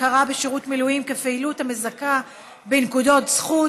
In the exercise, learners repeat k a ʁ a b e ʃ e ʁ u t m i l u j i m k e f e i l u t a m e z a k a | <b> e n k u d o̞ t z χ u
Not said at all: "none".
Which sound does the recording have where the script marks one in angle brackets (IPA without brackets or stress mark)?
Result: b